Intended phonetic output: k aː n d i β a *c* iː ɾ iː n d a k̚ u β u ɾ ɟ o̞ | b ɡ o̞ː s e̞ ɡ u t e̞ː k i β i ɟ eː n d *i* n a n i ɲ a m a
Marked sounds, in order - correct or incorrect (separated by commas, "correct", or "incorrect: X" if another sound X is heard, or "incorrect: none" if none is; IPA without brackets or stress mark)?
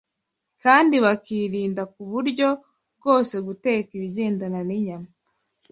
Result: incorrect: k, incorrect: a